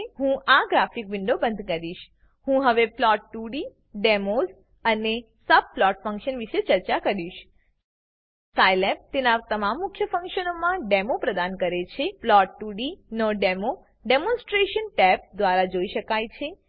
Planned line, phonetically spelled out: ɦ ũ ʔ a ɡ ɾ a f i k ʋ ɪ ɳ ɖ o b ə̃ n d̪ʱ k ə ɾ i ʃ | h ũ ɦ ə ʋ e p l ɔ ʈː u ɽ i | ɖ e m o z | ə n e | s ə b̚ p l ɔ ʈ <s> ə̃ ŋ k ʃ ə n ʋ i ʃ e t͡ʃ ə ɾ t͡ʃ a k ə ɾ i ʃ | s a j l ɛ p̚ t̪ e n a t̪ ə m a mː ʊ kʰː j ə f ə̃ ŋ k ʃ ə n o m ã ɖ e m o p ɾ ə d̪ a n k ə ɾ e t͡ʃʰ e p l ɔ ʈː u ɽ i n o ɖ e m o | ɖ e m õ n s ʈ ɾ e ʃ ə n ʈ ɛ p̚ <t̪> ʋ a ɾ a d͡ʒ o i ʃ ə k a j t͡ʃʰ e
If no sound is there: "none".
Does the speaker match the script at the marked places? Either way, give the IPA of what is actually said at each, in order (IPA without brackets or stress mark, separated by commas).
f, d̪